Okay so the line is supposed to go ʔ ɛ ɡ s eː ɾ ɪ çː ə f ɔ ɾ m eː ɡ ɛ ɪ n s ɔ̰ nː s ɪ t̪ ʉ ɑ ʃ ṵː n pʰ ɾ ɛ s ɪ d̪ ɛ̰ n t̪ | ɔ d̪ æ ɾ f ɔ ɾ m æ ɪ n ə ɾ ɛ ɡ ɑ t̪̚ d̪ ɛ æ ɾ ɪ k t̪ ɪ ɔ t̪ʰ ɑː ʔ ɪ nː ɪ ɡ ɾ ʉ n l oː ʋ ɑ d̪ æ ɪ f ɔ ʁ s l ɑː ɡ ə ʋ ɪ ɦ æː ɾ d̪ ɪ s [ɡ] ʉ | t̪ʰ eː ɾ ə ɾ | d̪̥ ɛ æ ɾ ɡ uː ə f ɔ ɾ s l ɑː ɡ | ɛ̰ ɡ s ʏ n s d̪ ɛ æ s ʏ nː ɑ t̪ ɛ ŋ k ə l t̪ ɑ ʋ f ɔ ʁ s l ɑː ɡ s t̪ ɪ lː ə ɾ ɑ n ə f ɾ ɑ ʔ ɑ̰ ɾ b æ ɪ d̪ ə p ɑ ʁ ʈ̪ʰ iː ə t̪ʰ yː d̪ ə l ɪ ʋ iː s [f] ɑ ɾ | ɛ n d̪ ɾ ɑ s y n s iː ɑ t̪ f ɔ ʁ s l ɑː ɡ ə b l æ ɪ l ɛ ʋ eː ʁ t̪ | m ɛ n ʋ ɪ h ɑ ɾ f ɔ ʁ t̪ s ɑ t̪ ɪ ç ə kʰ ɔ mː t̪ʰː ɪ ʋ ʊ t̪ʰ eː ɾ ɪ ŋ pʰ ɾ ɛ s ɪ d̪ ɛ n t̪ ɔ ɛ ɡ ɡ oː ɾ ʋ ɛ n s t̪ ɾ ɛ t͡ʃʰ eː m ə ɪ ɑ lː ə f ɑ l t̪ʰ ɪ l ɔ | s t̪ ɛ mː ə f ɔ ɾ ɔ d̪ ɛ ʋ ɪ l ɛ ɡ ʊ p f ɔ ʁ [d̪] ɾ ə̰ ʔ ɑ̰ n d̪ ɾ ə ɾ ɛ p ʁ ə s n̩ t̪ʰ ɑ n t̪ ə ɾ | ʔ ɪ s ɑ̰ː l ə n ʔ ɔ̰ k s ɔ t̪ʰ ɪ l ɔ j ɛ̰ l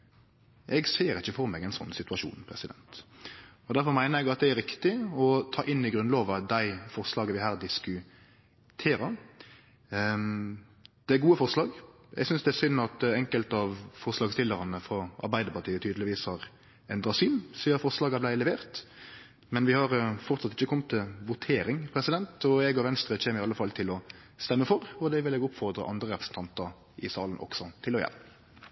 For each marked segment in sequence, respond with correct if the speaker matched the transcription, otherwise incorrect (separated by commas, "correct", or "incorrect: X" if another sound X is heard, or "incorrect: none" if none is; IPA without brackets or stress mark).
incorrect: k, incorrect: h, correct